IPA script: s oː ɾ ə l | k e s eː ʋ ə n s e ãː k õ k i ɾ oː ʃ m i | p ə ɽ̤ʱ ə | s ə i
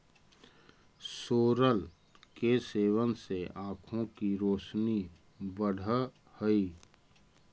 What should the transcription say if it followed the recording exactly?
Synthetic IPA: s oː ɾ ə l | k e s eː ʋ ə n s e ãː kʰ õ k i ɾ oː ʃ n i | b ə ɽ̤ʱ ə | h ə i